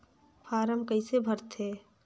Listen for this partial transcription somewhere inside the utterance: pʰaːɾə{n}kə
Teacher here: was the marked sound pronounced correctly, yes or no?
no